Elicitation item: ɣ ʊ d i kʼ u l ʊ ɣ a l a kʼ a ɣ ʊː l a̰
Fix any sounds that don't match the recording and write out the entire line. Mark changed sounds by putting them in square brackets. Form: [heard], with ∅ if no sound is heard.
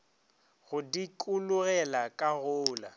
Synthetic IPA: ɣ ʊ d i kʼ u l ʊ ɣ [ɛ] l a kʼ a ɣ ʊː l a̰